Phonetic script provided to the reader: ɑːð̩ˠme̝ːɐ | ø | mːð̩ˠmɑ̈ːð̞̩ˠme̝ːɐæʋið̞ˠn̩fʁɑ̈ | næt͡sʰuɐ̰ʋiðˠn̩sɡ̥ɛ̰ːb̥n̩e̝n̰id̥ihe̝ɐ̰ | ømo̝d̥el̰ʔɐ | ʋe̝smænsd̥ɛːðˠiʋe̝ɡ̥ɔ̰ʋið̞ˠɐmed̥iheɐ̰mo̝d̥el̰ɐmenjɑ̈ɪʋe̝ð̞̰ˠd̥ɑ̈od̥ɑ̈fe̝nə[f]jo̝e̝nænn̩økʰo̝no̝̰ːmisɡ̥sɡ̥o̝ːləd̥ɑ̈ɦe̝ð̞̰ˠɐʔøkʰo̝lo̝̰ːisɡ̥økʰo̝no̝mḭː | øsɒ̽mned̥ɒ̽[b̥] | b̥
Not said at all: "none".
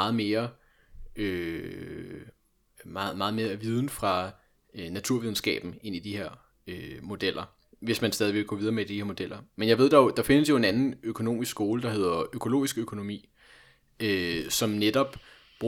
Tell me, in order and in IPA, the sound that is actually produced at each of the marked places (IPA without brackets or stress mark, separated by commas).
s, b̥